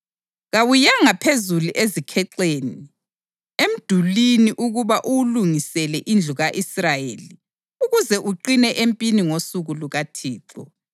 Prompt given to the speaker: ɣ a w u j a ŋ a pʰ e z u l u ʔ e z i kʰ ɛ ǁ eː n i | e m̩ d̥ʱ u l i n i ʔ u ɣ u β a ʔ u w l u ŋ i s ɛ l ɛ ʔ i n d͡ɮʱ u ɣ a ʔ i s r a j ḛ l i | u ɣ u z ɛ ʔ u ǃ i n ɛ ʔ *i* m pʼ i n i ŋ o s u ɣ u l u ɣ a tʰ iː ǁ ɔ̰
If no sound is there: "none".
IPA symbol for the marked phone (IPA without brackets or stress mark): e